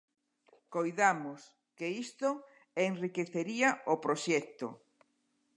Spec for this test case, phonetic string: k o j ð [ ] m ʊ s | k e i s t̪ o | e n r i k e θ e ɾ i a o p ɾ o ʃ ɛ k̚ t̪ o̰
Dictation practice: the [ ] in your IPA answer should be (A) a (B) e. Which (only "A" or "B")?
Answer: A